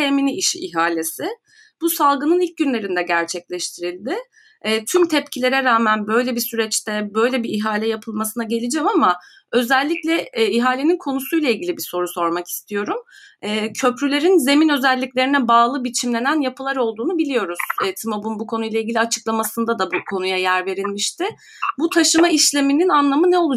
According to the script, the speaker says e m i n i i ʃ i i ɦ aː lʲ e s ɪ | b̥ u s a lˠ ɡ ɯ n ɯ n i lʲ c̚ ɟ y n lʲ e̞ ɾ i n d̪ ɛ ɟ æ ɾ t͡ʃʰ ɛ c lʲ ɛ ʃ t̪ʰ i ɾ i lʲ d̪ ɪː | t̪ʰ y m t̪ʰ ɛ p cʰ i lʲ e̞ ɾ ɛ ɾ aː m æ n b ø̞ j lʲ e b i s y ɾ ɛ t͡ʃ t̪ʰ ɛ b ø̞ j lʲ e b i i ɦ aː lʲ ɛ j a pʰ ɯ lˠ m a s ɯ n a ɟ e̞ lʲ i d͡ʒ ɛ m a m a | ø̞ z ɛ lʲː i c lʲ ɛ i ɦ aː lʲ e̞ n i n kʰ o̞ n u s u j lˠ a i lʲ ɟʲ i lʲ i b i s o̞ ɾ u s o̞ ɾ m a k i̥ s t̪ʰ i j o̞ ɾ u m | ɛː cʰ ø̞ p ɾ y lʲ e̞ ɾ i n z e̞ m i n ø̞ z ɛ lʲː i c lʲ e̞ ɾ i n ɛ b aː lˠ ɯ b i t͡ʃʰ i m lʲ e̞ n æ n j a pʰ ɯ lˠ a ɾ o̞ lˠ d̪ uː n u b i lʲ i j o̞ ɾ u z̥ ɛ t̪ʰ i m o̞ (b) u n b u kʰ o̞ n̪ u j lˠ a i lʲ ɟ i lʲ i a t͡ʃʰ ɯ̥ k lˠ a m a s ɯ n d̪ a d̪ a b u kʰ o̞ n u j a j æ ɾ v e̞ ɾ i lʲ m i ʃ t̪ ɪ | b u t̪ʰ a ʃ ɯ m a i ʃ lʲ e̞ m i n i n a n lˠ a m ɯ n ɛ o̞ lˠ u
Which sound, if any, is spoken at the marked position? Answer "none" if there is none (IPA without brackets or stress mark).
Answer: b